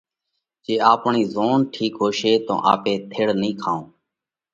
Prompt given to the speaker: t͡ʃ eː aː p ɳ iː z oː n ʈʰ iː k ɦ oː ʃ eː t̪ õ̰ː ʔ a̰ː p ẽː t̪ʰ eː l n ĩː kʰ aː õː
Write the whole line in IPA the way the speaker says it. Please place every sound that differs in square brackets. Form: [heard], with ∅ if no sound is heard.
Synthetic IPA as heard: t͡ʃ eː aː p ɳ iː z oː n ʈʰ iː k ɦ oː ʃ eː t̪ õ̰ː ʔ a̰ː p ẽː t̪ʰ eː [ɽ] n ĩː kʰ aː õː